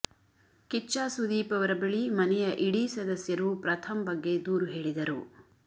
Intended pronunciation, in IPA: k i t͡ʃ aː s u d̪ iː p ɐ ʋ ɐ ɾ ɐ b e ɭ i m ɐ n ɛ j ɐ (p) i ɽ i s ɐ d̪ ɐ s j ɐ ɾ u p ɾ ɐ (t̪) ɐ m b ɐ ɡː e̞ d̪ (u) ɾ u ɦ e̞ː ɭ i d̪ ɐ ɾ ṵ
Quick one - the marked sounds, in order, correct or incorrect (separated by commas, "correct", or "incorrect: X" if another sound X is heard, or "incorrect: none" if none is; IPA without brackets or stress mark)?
incorrect: ʔ, incorrect: t̪ʰ, incorrect: uː